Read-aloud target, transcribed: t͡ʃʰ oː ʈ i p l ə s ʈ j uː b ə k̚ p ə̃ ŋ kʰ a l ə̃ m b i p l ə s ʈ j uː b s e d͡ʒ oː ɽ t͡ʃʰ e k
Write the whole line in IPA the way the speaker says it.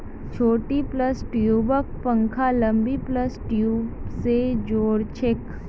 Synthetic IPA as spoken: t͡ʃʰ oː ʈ i p l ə s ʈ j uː b ə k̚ p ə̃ ŋ kʰ a l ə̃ m b i p l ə s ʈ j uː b s e d͡ʒ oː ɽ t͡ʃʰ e k